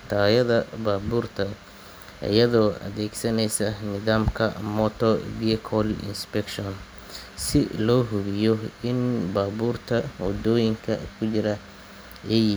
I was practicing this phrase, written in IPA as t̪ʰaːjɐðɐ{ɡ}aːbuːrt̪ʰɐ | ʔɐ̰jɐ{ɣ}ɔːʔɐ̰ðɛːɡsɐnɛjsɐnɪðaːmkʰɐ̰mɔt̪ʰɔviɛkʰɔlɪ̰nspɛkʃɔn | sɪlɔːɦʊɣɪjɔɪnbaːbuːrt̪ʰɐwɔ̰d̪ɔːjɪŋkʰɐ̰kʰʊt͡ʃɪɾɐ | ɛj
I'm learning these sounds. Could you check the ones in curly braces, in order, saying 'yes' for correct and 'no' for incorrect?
no, no

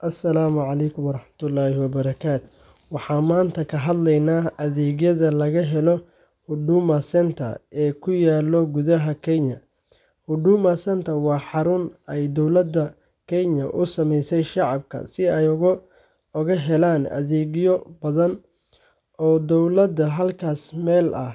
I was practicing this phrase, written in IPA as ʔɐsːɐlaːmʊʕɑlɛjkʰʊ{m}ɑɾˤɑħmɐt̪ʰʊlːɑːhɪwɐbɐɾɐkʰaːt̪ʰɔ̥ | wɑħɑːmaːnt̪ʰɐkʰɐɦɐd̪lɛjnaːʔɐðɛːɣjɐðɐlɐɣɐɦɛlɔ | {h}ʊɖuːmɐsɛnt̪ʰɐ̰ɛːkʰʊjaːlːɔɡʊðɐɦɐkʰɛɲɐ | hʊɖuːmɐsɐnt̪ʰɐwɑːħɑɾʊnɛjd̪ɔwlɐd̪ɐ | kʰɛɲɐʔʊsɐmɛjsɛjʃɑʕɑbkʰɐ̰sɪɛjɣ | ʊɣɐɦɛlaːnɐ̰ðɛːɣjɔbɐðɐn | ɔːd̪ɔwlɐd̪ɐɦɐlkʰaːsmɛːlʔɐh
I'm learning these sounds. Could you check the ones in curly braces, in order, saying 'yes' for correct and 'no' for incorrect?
yes, yes

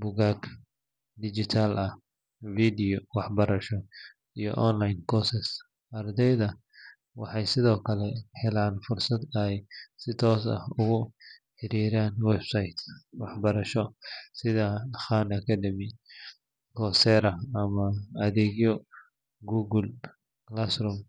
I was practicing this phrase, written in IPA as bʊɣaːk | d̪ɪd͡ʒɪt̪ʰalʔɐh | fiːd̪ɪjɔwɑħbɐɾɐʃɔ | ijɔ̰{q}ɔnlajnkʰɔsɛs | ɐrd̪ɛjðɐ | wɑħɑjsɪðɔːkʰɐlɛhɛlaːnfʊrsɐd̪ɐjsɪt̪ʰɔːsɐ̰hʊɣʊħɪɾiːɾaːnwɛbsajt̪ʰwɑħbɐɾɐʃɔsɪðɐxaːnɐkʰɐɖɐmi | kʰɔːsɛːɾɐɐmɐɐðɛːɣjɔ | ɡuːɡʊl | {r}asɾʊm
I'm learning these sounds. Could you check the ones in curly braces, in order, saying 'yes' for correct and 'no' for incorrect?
no, no

